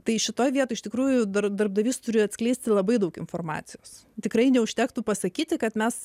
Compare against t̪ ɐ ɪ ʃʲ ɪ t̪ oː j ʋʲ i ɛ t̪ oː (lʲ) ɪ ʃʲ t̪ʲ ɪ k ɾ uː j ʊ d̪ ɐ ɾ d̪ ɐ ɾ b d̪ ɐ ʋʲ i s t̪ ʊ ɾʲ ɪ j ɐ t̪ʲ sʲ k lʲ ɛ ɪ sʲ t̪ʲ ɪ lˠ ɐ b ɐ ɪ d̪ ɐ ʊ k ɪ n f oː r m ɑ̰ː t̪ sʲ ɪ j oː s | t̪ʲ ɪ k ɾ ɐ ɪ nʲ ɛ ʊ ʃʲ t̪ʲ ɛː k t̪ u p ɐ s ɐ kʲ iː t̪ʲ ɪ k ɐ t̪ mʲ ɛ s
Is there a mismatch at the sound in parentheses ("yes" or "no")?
yes